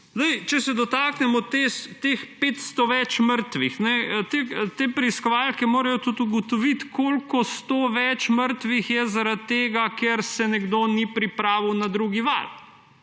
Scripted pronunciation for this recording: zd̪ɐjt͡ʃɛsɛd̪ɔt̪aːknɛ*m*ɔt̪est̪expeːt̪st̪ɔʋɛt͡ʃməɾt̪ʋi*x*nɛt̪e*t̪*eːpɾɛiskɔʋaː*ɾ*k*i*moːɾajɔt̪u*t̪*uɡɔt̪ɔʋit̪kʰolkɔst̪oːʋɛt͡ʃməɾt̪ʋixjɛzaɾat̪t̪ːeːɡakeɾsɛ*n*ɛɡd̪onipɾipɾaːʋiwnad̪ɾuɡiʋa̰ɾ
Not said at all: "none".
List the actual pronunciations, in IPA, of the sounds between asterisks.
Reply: m, x, t̪, l, ɛ, t̪, n

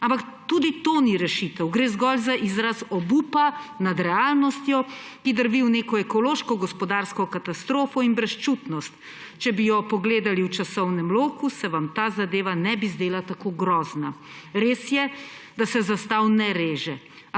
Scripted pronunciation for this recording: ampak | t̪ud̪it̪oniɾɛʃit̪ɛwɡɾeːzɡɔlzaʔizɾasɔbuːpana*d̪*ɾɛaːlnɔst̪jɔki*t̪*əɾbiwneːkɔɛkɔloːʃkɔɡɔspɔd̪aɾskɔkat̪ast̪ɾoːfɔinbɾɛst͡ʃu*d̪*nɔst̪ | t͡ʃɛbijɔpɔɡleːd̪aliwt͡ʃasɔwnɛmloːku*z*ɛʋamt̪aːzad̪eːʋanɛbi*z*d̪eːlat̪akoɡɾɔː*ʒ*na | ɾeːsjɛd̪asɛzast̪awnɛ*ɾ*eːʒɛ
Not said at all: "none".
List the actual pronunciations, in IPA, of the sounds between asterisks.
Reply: d̪, d̪, t̪, s, z, z, ɾ

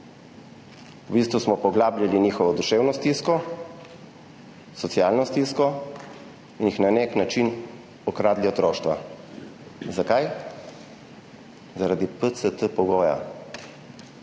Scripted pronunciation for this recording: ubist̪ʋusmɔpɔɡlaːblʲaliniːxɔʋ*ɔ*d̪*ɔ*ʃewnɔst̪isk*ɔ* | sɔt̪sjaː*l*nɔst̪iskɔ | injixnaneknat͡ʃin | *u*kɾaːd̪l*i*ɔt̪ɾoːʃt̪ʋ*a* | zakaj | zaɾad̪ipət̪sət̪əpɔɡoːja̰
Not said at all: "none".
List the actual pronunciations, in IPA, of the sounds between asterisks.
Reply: ɔ, u, ɔ, l, ɔ, i, a

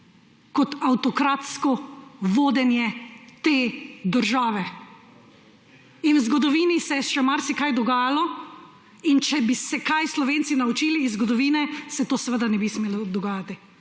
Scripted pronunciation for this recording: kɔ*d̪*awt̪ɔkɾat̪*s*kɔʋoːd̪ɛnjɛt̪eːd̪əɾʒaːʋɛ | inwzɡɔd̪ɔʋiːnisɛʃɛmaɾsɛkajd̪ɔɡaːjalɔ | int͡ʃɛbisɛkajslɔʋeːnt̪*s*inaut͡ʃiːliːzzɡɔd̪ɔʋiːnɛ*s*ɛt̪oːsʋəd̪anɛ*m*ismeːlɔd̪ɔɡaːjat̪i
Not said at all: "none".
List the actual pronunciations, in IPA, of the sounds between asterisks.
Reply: t̪, s, s, s, b

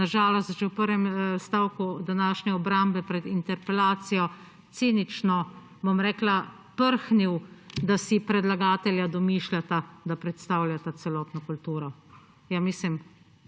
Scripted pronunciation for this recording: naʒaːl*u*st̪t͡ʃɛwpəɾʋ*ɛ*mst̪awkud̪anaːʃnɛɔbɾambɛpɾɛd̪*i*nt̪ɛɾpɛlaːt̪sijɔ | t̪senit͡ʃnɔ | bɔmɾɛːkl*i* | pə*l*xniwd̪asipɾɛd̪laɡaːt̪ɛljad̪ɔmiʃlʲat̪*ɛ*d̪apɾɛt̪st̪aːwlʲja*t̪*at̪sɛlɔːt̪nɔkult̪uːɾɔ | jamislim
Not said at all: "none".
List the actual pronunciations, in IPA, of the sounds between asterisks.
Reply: ɔ, ɛ, i, a, ɾ, a, t̪

